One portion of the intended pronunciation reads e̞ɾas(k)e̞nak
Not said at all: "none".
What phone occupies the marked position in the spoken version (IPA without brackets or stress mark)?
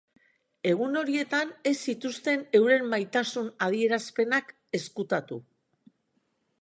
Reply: p